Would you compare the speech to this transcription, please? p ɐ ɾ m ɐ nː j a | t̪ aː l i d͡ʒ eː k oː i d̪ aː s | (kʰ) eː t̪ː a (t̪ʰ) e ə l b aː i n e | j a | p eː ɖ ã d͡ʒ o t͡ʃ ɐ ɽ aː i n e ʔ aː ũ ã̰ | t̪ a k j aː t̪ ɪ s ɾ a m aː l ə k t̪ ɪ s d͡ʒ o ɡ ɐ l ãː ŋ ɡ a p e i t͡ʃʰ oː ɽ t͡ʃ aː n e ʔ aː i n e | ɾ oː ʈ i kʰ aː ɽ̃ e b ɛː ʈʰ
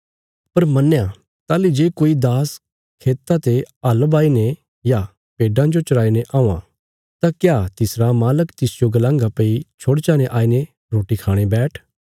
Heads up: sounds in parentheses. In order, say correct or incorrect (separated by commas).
correct, incorrect